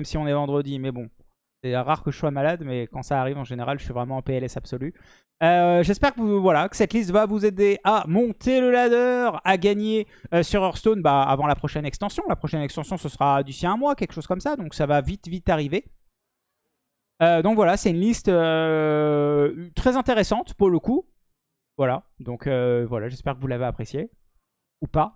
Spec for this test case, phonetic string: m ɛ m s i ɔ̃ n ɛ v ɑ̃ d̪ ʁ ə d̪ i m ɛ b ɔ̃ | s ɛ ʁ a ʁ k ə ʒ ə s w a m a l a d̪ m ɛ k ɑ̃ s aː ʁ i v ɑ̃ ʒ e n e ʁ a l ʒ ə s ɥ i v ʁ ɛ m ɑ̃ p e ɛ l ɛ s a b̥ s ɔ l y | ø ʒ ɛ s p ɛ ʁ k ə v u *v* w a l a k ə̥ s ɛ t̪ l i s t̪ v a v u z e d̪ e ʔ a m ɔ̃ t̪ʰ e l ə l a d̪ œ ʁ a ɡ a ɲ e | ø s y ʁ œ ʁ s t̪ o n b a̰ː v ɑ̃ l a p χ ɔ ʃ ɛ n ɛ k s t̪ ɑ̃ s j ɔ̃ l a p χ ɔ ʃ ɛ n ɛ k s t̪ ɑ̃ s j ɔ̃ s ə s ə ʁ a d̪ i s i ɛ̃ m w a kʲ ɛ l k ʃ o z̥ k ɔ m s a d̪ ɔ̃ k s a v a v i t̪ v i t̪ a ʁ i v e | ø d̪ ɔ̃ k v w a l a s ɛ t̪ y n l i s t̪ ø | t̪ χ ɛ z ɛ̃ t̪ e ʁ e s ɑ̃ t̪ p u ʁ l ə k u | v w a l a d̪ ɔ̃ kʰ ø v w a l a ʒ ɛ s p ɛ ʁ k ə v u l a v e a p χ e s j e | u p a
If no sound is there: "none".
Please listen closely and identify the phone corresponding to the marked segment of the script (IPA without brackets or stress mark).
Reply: v